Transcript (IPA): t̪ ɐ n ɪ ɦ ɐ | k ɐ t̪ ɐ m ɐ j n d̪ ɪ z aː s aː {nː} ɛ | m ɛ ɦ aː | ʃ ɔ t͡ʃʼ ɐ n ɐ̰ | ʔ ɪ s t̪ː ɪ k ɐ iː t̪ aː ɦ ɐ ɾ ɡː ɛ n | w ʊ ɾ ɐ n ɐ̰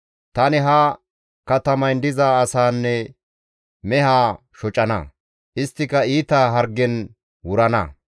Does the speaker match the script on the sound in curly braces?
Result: yes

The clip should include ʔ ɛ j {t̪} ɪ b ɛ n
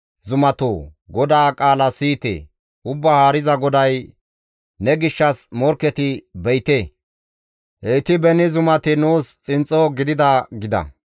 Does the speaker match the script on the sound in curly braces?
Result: yes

